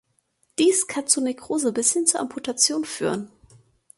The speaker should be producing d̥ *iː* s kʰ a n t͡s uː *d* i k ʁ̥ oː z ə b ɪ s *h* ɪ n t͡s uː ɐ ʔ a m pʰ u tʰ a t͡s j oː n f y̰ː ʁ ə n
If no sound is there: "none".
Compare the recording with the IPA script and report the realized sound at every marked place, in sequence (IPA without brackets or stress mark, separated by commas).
iː, n, h